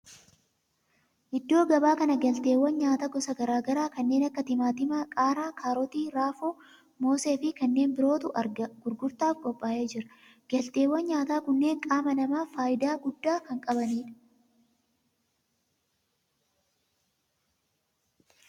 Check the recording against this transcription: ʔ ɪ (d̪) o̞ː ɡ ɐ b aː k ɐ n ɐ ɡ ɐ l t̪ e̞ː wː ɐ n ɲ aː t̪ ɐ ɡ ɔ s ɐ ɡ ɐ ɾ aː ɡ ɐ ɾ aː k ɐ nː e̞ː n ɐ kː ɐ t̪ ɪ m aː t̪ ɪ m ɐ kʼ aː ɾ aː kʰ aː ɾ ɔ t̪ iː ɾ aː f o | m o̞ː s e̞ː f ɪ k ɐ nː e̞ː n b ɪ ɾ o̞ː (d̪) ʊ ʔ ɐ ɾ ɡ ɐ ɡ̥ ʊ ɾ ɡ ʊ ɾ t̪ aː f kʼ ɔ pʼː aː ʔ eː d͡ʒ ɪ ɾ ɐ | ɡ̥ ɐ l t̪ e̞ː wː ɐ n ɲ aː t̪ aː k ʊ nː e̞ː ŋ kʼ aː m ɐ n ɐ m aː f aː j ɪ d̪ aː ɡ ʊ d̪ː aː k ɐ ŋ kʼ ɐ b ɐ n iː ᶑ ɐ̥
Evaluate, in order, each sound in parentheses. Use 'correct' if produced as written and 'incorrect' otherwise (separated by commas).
incorrect, incorrect